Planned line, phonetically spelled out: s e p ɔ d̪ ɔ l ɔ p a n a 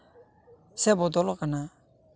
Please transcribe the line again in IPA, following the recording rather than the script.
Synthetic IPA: s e b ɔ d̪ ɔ l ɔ k a n a